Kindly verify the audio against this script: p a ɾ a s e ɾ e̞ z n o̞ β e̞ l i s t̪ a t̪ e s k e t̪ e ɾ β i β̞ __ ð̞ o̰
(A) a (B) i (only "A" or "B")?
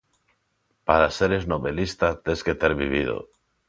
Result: B